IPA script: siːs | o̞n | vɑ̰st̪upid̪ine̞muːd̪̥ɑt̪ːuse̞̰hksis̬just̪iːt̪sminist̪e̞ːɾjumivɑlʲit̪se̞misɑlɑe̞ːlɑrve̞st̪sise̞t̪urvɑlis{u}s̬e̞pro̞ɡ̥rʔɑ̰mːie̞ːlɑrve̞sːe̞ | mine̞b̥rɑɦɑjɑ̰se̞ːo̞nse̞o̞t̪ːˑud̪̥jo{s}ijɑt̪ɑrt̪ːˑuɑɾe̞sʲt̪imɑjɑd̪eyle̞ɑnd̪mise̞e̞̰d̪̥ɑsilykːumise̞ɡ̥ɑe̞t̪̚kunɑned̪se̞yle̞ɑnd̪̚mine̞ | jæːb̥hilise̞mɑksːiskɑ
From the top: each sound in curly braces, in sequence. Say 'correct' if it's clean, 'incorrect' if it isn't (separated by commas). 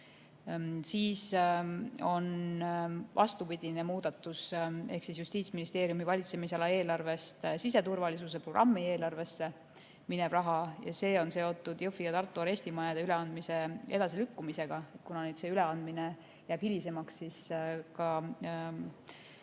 correct, incorrect